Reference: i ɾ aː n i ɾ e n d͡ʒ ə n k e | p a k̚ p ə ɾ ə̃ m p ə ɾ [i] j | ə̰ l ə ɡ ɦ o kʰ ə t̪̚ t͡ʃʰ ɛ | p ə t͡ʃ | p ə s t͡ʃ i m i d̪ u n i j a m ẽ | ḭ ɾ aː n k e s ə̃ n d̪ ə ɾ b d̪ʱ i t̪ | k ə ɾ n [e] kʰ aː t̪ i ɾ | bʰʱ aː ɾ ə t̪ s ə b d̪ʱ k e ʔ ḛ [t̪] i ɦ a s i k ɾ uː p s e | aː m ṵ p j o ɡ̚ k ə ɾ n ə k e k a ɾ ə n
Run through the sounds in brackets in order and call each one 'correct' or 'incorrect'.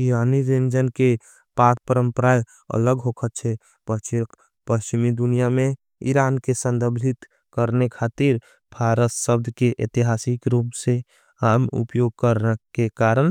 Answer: incorrect: a, correct, correct

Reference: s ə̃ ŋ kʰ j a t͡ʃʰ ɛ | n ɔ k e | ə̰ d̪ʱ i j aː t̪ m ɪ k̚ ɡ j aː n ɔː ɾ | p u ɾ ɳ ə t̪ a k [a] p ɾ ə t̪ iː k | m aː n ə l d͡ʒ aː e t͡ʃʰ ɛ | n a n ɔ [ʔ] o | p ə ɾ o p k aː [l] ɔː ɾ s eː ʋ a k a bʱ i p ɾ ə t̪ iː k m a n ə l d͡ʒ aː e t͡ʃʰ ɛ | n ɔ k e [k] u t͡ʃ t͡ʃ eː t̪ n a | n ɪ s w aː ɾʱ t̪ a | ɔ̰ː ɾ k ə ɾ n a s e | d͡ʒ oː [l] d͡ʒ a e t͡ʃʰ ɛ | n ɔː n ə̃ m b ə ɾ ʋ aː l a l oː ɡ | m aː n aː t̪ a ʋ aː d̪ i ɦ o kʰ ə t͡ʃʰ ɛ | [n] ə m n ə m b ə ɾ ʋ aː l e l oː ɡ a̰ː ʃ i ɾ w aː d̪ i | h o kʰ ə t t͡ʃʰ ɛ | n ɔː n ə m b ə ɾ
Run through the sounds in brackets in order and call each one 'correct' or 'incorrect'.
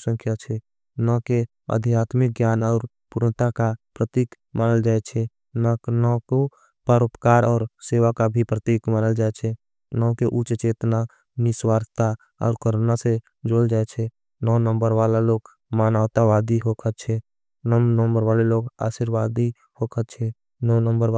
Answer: correct, incorrect: k, incorrect: ɾ, incorrect: ʔ, correct, correct

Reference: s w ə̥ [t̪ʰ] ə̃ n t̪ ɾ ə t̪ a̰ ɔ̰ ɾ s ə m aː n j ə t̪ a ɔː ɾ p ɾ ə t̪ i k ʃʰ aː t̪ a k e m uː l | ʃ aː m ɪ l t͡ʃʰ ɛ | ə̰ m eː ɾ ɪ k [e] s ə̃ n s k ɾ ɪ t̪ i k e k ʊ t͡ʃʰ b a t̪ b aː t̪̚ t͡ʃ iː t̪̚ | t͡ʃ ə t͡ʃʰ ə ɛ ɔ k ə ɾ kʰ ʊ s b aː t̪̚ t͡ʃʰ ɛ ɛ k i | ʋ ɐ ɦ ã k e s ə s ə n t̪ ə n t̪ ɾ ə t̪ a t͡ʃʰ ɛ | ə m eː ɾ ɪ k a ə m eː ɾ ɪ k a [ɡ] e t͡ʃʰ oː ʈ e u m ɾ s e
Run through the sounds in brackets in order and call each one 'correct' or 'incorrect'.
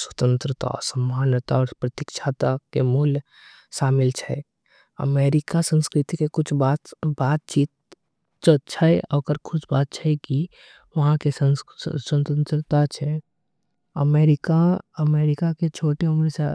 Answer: incorrect: t̪, incorrect: a, incorrect: k

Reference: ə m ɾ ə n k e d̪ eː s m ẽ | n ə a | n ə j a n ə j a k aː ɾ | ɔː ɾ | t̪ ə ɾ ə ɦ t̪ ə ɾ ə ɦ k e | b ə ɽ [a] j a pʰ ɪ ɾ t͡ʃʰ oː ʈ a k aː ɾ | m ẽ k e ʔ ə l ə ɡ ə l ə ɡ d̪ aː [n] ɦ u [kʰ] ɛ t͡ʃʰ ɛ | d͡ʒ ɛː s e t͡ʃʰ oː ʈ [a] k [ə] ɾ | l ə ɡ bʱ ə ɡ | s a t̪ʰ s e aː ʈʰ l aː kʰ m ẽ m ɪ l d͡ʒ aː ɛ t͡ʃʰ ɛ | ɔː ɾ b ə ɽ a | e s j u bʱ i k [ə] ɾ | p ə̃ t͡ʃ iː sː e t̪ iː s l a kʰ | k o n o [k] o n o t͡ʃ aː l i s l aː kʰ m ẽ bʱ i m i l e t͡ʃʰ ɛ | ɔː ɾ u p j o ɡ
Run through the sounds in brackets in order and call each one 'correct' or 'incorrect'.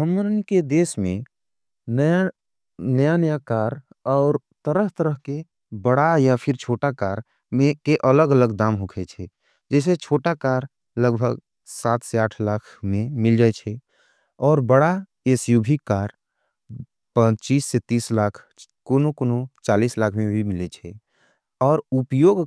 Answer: correct, incorrect: m, correct, correct, incorrect: a, incorrect: a, correct

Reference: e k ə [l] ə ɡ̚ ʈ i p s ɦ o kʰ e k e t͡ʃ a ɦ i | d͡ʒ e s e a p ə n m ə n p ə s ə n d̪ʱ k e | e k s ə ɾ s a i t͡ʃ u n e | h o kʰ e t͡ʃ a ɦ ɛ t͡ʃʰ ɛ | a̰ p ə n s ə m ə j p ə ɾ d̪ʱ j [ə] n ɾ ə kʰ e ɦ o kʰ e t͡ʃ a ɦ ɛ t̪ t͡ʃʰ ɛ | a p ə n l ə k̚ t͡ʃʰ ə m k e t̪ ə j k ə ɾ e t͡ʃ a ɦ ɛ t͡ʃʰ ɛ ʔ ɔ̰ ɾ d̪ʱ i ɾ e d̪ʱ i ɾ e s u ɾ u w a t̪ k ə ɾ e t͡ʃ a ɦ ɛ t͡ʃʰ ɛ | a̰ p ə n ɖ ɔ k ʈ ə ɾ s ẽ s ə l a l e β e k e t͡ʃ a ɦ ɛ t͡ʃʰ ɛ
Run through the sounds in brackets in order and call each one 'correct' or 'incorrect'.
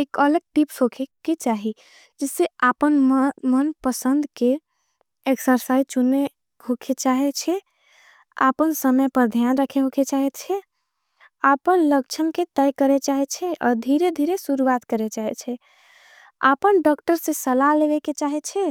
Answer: correct, incorrect: a

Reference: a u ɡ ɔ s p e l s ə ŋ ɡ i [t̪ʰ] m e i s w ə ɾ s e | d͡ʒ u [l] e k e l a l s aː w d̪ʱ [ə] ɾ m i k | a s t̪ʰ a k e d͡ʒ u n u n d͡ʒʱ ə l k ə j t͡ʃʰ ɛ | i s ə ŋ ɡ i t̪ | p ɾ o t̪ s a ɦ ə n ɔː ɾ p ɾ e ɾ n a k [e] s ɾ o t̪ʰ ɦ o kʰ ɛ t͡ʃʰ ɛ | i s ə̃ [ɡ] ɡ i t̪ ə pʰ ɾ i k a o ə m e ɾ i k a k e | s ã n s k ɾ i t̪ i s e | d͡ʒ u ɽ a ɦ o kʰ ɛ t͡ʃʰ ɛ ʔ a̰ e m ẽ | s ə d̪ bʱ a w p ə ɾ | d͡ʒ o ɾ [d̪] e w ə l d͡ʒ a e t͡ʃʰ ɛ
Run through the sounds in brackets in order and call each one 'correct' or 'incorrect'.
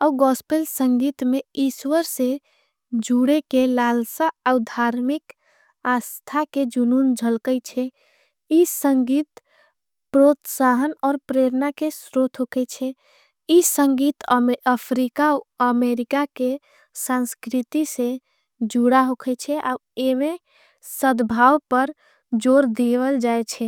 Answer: incorrect: t̪, incorrect: ɽ, incorrect: a, correct, incorrect: ŋ, correct

